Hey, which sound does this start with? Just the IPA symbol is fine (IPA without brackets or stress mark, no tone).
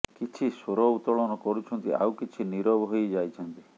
k